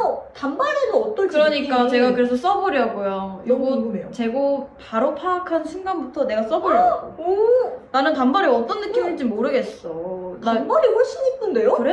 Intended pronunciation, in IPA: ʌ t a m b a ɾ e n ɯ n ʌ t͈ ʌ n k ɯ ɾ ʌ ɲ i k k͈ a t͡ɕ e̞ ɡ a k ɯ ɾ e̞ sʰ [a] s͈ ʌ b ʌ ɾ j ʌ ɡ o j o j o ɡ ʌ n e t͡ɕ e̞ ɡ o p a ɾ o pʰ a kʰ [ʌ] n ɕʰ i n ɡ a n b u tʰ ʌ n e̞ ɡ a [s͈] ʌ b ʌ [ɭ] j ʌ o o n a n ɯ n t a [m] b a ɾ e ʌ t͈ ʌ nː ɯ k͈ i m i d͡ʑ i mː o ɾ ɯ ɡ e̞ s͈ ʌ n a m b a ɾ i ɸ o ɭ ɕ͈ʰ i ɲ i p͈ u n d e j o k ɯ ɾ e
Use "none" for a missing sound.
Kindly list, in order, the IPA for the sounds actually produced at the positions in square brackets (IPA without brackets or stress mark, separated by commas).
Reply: ʌ, a, s͈, ɾ, m